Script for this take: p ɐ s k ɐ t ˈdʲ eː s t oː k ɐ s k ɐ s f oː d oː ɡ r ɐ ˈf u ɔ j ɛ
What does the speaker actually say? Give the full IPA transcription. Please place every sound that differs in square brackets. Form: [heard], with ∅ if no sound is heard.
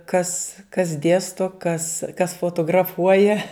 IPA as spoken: [k] ɐ s k ɐ [s] ˈdʲ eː s t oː k ɐ s k ɐ s f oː [t] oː ɡ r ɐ ˈf u ɔ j ɛ